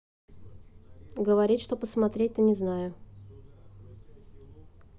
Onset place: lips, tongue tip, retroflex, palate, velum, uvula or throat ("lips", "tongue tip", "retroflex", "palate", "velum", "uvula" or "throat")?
velum